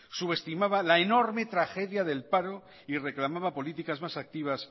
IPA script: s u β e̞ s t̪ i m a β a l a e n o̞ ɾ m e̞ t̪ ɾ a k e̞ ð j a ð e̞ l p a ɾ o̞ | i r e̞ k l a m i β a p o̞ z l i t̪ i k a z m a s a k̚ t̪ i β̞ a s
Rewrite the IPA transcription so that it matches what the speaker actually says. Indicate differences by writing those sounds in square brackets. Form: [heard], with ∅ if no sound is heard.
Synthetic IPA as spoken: s u β e̞ s t̪ i m a β a l a e n o̞ ɾ m e̞ t̪ ɾ a [x] e̞ ð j a ð e̞ l p a ɾ o̞ | i r e̞ k l a m [a] β a p o̞ [∅] l i t̪ i k a z m a s a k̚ t̪ i β̞ a s